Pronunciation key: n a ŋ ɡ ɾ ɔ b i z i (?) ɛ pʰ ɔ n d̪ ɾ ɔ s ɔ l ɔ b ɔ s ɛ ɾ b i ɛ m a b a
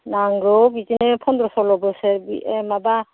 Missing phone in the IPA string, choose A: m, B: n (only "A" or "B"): B